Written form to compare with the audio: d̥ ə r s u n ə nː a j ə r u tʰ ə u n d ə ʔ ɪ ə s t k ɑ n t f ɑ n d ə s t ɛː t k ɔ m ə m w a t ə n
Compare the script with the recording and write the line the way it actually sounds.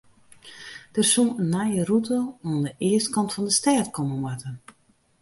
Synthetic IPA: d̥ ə r s u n ə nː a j ə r u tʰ ə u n d ə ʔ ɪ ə s t k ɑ n t f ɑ n d ə s t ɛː t k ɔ m ə m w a t ə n